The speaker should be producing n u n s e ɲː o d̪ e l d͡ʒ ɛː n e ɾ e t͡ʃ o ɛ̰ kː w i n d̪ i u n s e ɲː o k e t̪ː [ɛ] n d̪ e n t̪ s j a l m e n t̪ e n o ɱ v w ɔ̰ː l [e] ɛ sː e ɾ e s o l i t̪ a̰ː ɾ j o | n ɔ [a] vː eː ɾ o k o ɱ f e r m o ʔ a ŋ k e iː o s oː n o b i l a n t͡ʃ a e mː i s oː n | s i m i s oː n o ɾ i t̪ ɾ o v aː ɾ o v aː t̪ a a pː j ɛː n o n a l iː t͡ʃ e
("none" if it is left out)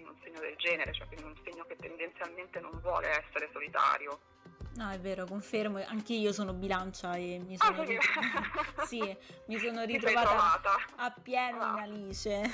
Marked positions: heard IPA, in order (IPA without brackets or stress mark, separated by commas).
e, e, ɛ